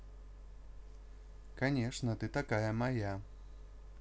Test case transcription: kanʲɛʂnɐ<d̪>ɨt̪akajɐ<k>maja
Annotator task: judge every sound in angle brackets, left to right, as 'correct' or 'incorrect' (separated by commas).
incorrect, incorrect